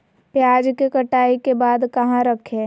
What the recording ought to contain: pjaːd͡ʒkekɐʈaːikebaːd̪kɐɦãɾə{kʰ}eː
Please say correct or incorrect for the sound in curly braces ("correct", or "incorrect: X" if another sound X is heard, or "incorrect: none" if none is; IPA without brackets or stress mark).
correct